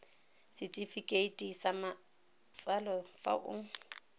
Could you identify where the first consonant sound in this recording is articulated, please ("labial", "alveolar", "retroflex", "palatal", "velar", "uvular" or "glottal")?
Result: alveolar